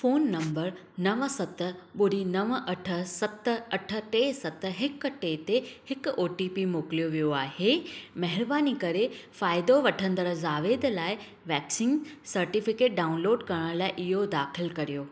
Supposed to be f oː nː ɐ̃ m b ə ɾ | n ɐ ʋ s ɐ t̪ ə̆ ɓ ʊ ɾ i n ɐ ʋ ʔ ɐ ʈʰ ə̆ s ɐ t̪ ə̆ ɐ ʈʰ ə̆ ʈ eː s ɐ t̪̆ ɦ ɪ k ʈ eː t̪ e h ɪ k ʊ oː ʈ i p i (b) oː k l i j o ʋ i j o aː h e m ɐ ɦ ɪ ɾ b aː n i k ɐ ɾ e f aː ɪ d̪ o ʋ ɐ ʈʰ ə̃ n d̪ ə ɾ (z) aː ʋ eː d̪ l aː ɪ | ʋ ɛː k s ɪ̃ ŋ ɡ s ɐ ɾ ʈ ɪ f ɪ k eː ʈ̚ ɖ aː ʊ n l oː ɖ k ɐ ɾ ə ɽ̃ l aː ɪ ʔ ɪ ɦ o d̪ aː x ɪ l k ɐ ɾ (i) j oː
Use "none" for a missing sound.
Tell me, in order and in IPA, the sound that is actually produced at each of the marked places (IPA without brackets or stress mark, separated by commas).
m, z, i